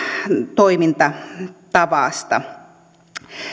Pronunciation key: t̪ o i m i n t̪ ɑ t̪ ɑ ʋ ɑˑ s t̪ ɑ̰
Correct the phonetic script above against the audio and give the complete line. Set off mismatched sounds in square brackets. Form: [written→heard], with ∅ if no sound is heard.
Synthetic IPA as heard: t̪ o i m i n t̪ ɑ t̪ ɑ ʋ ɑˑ s t̪ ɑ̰